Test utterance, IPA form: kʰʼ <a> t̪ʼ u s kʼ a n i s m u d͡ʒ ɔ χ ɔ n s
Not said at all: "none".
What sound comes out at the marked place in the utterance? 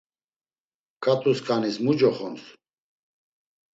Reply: a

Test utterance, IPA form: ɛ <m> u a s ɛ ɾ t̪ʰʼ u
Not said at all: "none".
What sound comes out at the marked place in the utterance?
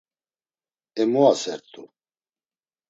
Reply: m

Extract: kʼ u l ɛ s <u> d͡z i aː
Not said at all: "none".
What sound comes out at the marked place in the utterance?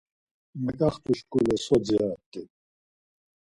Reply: ɔ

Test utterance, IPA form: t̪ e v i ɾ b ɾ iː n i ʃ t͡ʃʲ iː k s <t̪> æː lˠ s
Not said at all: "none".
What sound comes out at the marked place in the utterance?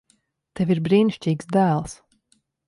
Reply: d̪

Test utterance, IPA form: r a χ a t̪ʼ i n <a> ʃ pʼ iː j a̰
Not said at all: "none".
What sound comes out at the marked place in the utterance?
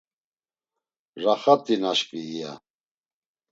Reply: a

